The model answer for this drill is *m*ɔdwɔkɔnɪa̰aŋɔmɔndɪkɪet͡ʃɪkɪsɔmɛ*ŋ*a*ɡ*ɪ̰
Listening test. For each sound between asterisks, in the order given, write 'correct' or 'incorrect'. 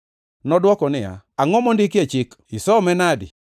incorrect: n, incorrect: n, incorrect: d

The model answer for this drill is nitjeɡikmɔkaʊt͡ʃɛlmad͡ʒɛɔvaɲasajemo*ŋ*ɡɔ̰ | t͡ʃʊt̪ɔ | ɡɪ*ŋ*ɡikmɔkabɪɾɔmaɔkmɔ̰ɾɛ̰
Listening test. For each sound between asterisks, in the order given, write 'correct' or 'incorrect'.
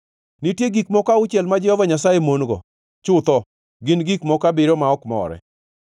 incorrect: n, incorrect: n

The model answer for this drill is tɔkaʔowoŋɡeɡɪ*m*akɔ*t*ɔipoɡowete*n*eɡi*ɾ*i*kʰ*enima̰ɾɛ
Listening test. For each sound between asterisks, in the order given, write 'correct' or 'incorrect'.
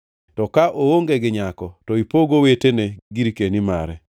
incorrect: ɲ, correct, correct, correct, incorrect: k

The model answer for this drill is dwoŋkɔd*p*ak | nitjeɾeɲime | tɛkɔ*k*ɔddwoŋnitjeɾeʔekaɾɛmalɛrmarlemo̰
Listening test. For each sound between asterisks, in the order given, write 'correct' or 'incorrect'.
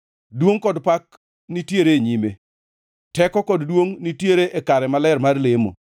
correct, correct

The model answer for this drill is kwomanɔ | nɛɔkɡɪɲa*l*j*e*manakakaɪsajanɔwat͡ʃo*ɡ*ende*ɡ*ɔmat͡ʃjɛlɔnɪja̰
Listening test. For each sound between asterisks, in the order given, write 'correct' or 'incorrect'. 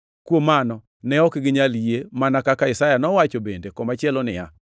correct, correct, incorrect: b, incorrect: k

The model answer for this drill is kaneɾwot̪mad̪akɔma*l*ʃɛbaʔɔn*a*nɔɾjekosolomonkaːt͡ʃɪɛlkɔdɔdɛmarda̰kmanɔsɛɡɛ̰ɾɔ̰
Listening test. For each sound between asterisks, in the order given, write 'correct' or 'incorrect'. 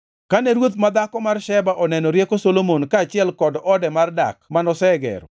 incorrect: r, incorrect: ɛ

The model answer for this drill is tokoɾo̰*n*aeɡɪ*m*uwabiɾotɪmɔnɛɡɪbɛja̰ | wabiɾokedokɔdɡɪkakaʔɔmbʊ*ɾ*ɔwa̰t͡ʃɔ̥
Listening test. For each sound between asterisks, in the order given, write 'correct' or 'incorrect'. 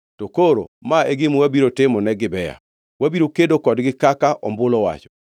incorrect: m, correct, incorrect: l

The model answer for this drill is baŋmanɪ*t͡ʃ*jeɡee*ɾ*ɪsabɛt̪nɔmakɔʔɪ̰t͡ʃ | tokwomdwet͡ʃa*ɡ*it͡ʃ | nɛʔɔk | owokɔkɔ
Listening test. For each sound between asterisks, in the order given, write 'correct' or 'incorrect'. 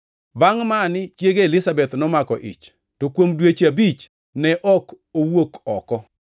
correct, incorrect: l, incorrect: b

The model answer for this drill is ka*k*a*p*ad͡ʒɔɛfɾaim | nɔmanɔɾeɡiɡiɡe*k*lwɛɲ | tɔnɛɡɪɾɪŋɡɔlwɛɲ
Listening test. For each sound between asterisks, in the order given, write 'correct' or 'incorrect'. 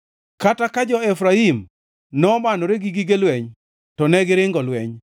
incorrect: t, incorrect: k, incorrect: none

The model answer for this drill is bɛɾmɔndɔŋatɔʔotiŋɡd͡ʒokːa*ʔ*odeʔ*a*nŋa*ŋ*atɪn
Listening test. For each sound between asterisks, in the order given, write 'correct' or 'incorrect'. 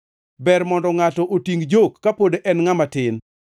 incorrect: p, incorrect: ɛ, incorrect: m

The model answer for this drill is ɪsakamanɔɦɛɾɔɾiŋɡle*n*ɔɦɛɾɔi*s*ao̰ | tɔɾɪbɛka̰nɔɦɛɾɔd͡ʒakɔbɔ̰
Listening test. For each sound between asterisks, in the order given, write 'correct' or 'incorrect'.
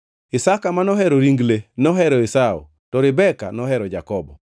correct, correct

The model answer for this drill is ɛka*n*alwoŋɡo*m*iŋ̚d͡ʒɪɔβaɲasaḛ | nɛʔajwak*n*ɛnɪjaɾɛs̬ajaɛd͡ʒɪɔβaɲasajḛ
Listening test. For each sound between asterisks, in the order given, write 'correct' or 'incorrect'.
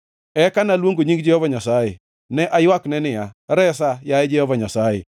correct, incorrect: ɲ, correct

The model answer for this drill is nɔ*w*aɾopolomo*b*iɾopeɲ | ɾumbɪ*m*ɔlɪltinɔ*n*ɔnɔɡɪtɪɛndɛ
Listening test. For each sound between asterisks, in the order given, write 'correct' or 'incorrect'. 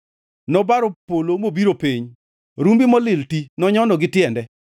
incorrect: b, correct, correct, incorrect: ɲ

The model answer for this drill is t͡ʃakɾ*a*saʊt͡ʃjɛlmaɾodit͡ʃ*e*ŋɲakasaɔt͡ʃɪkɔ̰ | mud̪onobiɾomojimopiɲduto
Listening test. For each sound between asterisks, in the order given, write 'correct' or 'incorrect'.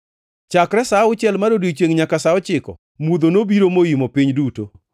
incorrect: ɛ, correct

